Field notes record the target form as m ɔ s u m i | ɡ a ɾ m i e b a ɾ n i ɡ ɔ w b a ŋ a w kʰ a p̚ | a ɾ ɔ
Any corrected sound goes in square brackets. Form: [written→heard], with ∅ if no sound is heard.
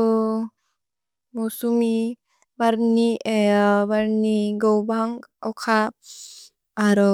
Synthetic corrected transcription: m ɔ s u m i | [ɡ→b] a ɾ [m→n] i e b a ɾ n i ɡ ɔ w b a ŋ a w kʰ a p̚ | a ɾ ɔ